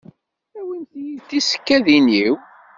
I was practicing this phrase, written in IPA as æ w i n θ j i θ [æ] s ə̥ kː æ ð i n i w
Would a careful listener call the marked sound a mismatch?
yes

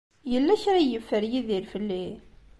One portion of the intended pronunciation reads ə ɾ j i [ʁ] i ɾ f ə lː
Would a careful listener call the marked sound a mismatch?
yes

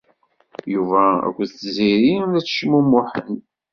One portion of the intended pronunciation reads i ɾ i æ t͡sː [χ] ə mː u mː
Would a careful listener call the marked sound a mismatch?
yes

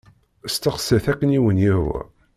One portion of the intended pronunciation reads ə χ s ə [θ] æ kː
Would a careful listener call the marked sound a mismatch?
no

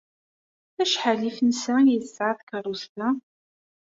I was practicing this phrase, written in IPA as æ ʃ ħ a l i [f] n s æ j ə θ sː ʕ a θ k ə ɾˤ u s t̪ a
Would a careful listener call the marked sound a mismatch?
no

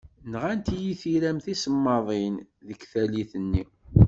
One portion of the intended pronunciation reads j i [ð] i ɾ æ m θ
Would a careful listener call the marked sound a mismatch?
yes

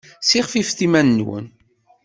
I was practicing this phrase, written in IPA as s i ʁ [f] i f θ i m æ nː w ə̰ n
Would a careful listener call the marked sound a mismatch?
no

